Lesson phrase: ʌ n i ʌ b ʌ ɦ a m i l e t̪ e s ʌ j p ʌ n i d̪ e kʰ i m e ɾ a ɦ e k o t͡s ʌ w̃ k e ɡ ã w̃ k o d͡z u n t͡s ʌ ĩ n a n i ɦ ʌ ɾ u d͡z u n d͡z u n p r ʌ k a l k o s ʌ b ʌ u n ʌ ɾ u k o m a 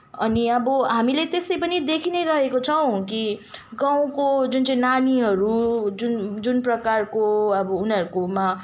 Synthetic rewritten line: ʌ n i ʌ b ʌ ɦ a m i l e t̪ e s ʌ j p ʌ n i d̪ e kʰ i n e ɾ ʌ ɦ e k o t͡sʰ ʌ w̃ k i ɡ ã w̃ k o d͡z u n t͡s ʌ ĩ n a n i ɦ ʌ ɾ u d͡z u n d͡z u n p r ʌ k a r k o ʌ b ʌ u n ʌ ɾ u k o m a